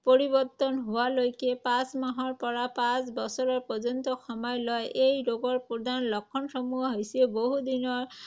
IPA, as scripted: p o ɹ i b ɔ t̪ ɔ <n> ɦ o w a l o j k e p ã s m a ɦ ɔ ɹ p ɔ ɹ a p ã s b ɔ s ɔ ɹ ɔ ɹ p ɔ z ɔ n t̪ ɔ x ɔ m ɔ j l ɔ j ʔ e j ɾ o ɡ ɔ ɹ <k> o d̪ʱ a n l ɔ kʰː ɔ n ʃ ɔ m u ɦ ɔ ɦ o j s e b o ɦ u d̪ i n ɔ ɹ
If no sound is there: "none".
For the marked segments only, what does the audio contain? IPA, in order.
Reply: n, p

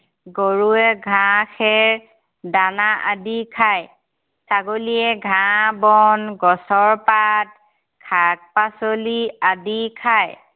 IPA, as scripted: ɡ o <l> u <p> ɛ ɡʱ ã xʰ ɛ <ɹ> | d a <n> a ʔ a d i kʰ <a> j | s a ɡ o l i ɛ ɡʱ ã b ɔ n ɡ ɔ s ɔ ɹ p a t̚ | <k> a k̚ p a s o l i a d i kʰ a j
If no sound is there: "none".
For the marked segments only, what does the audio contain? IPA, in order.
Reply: ɹ, none, ɹ, n, a, kʰ

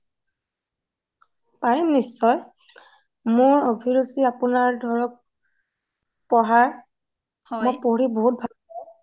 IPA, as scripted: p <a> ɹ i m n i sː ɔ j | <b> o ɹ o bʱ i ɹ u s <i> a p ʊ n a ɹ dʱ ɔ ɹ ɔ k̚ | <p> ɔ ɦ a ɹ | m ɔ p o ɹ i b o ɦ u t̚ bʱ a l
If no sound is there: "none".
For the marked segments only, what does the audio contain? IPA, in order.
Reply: a, m, i, p

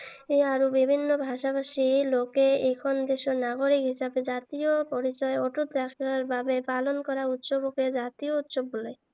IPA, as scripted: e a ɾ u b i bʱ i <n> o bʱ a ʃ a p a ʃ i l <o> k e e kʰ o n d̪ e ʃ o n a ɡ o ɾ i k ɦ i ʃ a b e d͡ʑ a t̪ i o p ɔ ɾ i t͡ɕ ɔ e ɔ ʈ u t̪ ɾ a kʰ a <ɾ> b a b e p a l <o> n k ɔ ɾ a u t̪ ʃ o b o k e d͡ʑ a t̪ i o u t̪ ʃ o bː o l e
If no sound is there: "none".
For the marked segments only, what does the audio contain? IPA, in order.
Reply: nː, o, ɾ, o

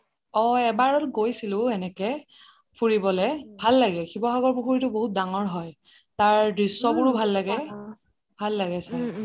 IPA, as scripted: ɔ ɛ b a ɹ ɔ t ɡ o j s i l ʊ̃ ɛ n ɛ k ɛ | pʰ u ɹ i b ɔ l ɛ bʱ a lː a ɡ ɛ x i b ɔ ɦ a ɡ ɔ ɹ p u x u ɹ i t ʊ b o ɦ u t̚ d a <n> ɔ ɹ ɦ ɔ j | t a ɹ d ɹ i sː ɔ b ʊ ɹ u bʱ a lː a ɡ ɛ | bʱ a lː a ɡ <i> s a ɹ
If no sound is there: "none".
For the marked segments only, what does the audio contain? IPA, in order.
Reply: ŋ, ɛ

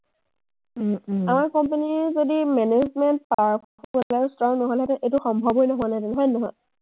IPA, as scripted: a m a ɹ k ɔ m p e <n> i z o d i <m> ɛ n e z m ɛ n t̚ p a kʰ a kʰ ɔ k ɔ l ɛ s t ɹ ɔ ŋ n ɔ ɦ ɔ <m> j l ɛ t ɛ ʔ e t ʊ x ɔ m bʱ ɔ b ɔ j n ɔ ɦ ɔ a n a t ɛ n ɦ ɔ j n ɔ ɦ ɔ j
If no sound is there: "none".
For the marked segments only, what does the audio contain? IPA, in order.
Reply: n, m, none

